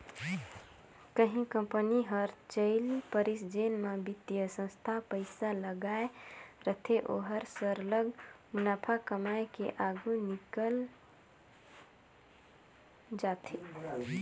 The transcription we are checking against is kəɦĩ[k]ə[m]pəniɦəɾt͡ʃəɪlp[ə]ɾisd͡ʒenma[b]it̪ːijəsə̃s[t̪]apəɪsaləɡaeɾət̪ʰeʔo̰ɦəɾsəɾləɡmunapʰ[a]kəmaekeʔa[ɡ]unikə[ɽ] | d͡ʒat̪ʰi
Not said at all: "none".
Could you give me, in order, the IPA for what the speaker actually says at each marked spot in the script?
k, m, ə, b, t̪ʰ, a, ɡ, l

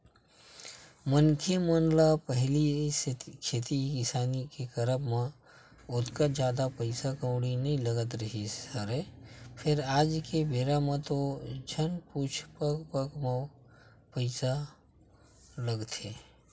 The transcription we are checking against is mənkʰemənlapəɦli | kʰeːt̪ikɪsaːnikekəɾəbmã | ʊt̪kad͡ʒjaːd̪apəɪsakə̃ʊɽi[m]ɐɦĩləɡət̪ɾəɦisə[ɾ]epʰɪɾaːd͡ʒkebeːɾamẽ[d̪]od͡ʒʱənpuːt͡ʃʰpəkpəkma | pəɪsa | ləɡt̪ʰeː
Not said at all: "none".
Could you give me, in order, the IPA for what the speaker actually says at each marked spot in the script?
n, ɾ, t̪

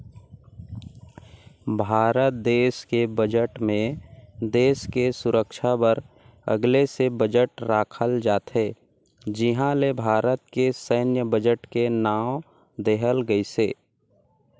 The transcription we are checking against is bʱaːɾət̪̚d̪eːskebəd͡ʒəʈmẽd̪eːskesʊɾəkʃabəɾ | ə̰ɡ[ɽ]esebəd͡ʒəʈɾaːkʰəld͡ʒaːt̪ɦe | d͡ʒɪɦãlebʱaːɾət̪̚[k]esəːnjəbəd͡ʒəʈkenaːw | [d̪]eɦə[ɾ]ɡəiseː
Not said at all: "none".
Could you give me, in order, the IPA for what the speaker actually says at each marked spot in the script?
l, k, d̪, l

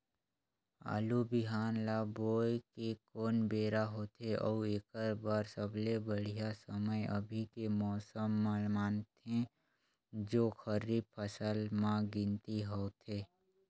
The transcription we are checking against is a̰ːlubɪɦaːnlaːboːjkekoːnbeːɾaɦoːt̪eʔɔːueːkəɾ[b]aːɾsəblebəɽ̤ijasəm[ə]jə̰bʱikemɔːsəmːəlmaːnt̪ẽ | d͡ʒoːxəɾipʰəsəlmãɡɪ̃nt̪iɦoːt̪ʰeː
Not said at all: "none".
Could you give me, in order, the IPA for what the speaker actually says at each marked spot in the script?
b, ə

